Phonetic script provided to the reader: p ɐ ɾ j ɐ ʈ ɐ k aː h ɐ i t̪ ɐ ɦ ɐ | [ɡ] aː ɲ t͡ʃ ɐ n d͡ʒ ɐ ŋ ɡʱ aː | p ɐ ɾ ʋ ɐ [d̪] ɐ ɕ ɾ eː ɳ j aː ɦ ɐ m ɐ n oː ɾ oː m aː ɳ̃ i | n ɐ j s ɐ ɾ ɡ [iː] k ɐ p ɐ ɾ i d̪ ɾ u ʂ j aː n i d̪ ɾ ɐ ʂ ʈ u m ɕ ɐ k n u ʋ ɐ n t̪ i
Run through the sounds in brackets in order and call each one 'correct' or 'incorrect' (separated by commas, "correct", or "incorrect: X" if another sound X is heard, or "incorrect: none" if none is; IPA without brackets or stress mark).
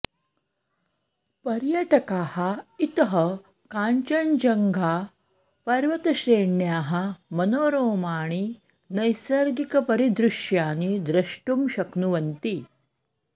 incorrect: k, incorrect: t̪, incorrect: i